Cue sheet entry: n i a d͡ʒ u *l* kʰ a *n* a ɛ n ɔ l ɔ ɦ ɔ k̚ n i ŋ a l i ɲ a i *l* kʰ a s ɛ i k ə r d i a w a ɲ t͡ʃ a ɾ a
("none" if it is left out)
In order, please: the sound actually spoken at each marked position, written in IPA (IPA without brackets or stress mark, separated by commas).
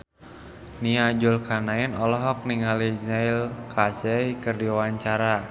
l, n, l